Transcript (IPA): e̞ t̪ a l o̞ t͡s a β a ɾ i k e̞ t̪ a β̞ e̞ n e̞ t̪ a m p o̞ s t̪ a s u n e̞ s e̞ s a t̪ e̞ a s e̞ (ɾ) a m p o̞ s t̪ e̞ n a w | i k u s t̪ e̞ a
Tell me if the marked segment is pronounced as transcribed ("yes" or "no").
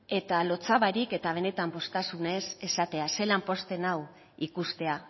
no